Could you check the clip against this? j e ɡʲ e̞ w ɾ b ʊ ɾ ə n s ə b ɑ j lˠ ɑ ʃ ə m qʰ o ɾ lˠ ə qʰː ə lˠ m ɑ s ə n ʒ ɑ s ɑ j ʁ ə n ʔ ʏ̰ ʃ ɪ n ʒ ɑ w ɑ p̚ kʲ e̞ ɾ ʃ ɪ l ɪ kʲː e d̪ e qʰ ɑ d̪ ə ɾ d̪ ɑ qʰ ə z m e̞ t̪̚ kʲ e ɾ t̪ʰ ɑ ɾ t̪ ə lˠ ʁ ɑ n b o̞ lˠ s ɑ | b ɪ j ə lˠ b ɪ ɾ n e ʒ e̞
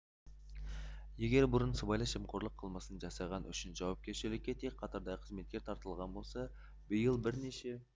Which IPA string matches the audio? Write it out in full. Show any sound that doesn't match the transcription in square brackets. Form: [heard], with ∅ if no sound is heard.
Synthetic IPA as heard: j e ɡʲ e̞ [∅] ɾ b ʊ ɾ ə n s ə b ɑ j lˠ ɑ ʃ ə m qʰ o ɾ lˠ ə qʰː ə lˠ m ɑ s ə n ʒ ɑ s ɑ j ʁ [ɑ] n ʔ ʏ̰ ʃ ɪ n ʒ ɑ w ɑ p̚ kʲ e̞ ɾ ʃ ɪ l ɪ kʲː e [t̪] e qʰ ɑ [t̪] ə ɾ d̪ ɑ qʰ ə z m e̞ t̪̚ kʲ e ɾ t̪ʰ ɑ ɾ t̪ ə lˠ ʁ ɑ n b o̞ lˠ s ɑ | b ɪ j ə lˠ b ɪ ɾ n e [ʃ] e̞